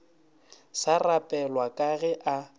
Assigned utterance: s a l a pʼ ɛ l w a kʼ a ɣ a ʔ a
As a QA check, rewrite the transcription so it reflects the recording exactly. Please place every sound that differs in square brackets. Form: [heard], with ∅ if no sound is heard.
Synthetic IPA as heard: s a [r] a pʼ ɛ l w a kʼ a ɣ [ɛ] ʔ a